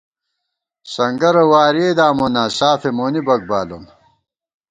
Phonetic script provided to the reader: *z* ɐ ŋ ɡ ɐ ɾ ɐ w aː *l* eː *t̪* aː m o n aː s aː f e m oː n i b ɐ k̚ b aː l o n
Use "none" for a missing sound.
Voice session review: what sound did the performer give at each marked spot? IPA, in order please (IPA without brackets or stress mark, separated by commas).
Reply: s, ɾ, d̪